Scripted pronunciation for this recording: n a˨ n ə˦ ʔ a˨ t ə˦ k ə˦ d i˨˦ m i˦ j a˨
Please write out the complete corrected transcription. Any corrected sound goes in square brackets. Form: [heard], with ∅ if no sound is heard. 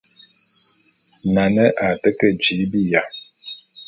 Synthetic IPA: n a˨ n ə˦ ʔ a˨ t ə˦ k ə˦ [d͡ʒ] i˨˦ [b] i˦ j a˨